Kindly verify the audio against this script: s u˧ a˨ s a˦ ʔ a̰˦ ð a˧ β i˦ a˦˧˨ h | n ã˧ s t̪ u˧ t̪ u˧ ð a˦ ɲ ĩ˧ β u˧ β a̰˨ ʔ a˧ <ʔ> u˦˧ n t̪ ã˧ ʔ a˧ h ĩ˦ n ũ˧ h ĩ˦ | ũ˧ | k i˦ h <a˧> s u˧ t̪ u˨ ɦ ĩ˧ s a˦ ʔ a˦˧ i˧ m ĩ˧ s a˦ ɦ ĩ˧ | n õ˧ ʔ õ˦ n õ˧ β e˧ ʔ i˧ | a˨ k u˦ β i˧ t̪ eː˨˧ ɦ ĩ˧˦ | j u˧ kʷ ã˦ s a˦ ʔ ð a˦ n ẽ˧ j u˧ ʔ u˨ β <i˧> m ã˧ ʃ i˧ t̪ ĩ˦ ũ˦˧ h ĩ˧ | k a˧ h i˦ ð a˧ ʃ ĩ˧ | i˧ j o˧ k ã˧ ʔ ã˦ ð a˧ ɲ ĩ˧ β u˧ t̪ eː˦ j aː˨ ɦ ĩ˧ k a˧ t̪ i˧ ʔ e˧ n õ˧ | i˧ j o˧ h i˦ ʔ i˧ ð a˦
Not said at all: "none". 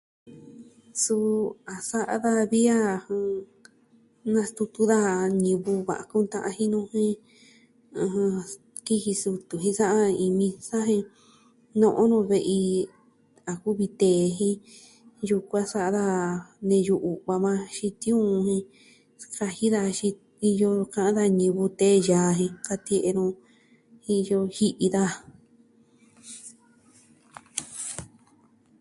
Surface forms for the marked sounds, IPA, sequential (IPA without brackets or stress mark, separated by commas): k, i˧, a˧